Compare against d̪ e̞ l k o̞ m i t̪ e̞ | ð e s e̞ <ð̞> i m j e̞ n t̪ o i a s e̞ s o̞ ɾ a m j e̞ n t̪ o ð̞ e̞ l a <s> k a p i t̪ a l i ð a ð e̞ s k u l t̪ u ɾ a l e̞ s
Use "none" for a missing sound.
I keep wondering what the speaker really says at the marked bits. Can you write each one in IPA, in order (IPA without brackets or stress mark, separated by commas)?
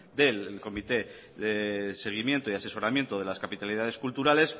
ɣ̞, s